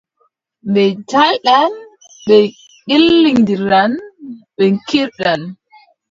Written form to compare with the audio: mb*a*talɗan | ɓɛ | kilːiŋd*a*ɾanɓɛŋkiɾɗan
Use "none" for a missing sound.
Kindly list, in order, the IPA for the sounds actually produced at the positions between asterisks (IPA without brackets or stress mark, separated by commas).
ɛ, i